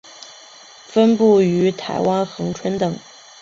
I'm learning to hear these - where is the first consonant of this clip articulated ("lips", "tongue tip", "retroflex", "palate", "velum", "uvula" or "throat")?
lips